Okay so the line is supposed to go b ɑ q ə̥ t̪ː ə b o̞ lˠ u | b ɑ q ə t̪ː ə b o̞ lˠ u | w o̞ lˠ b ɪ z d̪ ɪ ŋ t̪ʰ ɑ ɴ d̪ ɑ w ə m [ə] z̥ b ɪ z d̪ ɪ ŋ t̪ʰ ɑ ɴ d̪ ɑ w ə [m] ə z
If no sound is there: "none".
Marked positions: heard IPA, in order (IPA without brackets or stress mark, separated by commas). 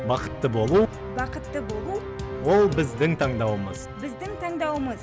ə, m